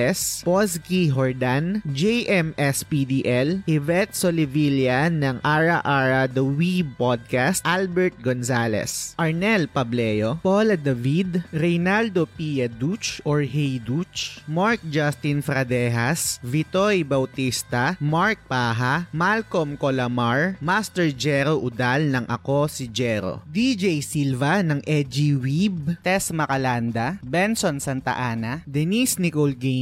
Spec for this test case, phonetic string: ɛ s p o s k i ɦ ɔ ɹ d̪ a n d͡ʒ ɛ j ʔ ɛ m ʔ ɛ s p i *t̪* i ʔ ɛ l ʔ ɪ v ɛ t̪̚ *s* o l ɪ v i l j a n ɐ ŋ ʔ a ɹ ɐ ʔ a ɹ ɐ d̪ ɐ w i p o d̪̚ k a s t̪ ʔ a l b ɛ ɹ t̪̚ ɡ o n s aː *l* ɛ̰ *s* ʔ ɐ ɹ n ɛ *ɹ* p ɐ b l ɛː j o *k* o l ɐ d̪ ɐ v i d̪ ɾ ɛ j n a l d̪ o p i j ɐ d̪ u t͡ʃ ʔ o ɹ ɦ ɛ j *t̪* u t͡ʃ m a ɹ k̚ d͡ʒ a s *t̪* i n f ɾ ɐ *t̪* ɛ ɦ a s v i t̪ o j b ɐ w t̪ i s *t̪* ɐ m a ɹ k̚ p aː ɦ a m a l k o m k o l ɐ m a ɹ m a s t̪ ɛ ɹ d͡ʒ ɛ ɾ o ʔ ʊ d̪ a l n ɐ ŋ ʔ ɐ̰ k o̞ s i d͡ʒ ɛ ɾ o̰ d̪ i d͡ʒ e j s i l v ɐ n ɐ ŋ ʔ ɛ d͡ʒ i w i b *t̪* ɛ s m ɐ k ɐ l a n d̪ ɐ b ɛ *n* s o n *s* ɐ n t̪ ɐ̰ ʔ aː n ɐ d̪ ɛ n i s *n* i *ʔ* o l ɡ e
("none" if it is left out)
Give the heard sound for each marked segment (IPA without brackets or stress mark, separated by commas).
d̪, s, l, s, l, p, d̪, t̪, d̪, t̪, t̪, n, s, n, k